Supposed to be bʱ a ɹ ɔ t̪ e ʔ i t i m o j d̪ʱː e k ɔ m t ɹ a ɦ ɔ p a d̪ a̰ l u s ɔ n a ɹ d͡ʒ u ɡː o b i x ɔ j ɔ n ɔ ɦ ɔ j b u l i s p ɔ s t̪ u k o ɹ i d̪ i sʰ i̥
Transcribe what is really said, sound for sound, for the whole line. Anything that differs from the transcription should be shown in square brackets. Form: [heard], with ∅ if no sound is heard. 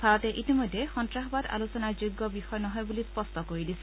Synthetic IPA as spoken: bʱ a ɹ ɔ t̪ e ʔ i t i m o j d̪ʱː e [x] ɔ [n] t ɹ a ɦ ɔ [b] a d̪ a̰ l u s ɔ n a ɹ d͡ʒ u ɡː [ɔ] b i x ɔ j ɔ n ɔ ɦ ɔ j b u l i s p ɔ s t̪ [ɔ] k o ɹ i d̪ i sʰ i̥